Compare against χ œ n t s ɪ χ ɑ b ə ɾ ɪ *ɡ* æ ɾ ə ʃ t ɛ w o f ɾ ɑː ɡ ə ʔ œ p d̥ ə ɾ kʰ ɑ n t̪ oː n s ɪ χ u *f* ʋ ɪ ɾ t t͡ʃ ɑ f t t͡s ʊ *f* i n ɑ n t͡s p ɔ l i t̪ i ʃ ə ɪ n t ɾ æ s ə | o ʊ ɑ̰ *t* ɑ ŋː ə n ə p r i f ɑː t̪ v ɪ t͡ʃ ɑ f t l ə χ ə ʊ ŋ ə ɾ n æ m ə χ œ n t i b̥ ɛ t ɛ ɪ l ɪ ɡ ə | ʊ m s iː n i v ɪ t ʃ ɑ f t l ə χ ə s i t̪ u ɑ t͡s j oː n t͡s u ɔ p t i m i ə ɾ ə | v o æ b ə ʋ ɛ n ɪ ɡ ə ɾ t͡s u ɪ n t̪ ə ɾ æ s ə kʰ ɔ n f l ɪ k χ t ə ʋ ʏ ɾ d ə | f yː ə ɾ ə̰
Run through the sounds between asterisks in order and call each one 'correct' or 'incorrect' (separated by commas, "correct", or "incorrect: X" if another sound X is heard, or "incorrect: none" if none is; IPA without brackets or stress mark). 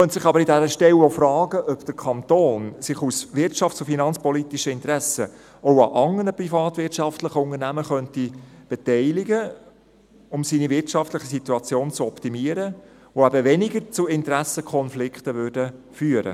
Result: incorrect: d, incorrect: s, correct, incorrect: ʔ